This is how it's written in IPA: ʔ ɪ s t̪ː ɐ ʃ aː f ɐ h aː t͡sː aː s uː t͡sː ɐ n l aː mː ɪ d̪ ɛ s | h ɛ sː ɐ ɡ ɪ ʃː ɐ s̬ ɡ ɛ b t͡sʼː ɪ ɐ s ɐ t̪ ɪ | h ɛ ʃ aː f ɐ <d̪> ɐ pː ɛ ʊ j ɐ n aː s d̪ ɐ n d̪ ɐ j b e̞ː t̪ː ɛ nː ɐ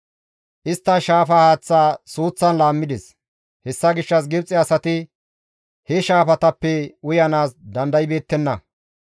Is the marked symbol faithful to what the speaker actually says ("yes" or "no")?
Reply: no